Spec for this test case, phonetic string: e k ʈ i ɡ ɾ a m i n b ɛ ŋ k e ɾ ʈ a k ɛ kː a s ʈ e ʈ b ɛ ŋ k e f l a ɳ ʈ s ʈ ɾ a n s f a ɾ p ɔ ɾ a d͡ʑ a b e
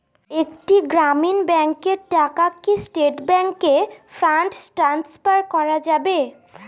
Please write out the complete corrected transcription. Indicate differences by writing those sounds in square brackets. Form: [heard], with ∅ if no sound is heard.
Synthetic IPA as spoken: e k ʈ i ɡ ɾ a m i n b ɛ ŋ k e ɾ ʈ a k [a] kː [i] s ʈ e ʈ b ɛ ŋ k e f [ɾ] a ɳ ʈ s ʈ ɾ a n s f a ɾ [k] ɔ ɾ a d͡ʑ a b e